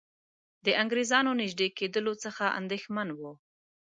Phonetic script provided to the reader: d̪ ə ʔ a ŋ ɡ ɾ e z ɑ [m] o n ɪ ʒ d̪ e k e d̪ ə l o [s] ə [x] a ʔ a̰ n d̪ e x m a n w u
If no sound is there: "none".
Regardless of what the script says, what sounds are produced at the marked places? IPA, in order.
n, t͡s, x

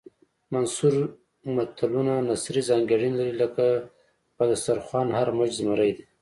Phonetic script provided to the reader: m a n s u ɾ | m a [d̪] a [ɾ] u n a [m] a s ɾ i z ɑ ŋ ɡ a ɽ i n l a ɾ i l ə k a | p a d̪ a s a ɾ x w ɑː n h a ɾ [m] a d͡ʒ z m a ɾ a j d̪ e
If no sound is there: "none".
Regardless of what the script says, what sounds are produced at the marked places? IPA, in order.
t̪, l, n, m

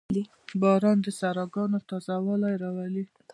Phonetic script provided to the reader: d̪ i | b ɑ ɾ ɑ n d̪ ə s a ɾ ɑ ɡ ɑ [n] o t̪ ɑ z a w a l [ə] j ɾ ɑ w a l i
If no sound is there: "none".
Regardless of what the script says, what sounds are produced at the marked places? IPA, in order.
n, a

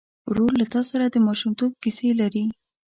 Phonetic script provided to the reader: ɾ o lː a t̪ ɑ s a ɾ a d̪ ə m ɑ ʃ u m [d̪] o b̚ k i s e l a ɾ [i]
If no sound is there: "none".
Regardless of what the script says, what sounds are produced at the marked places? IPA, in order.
t̪, i

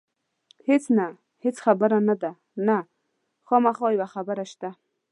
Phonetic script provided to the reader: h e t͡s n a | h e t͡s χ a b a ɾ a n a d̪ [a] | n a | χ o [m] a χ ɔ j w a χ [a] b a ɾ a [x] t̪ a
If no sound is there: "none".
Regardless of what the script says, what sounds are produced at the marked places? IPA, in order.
a, m, a, ʃ

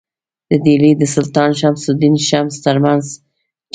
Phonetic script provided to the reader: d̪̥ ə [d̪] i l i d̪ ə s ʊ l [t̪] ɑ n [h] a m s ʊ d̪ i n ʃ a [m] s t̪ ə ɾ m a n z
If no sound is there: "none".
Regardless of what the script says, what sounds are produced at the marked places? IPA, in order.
d̪, t̪, ʃ, m

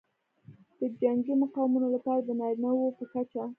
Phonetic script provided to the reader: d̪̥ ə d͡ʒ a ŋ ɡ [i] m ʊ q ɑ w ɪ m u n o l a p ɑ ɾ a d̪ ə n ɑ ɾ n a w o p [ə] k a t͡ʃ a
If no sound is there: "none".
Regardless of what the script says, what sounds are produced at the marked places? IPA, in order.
i, ə

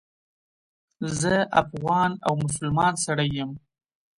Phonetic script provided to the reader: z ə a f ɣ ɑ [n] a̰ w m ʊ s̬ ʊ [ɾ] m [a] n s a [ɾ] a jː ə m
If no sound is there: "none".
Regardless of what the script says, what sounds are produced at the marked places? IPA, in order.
n, l, ɑ, ɽ

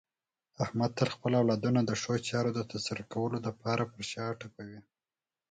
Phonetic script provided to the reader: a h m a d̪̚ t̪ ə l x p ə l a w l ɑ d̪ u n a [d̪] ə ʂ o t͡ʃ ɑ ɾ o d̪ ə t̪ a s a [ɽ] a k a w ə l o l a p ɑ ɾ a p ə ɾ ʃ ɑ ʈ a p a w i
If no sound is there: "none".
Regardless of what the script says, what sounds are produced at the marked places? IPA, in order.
d̪, ɾ

